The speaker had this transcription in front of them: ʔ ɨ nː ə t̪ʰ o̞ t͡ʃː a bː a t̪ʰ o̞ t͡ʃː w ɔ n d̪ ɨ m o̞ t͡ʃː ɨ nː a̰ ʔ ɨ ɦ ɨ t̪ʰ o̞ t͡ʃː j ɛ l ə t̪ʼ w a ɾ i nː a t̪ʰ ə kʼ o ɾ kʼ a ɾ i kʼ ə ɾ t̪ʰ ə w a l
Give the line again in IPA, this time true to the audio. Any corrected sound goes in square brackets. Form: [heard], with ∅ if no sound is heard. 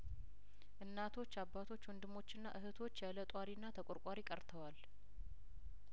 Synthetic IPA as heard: ʔ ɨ nː [a] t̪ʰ o̞ t͡ʃː a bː a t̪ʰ o̞ t͡ʃː w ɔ n d̪ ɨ m o̞ t͡ʃː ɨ nː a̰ ʔ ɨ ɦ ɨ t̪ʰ o̞ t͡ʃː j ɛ l ə t̪ʼ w a ɾ i nː a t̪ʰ ə kʼ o ɾ kʼ a ɾ i kʼ ə ɾ t̪ʰ ə w a l